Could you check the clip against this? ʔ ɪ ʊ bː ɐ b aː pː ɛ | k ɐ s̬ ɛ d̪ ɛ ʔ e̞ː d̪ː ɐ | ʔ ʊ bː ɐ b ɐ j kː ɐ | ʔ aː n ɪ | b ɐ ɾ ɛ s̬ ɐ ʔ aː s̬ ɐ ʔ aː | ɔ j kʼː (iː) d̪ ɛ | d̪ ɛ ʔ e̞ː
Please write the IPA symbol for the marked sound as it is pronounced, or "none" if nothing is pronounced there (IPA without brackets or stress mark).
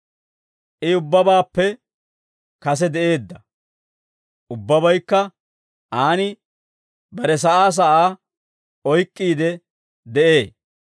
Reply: iː